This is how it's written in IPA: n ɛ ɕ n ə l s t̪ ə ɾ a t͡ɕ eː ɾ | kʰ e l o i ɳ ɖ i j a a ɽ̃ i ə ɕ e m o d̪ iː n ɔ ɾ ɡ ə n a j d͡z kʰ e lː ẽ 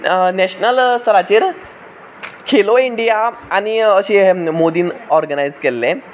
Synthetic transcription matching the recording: n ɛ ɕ n ə l s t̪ ə ɾ a t͡ɕ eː ɾ | kʰ e l o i ɳ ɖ i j a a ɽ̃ i ə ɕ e m o d̪ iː n ɔ ɾ ɡ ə n a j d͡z k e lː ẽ